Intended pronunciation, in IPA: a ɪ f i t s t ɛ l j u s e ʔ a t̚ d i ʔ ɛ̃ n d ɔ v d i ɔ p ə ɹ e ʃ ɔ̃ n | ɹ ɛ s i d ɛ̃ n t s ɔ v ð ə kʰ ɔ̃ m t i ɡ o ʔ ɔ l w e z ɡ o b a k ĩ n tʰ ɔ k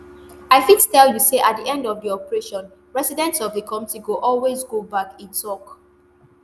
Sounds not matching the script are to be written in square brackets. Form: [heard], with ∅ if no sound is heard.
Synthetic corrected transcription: a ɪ f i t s t ɛ l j u s e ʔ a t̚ d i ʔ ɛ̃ n d ɔ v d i ɔ p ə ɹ e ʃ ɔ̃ n | ɹ ɛ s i d ɛ̃ n t s ɔ v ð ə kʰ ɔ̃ m t i ɡ o ʔ ɔ l w e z ɡ o b a k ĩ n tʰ ɔ k